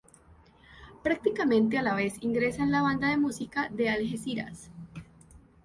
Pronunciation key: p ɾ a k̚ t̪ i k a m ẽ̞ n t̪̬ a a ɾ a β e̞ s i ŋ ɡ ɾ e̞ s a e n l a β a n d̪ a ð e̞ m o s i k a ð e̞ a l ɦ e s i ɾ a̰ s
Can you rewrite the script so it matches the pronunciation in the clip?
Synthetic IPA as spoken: p ɾ a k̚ t̪ i k a m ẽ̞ n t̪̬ e a l a β e̞ s i ŋ ɡ ɾ e̞ s a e n l a β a n d̪ a ð e̞ m u s i k a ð e̞ a l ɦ e s i ɾ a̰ s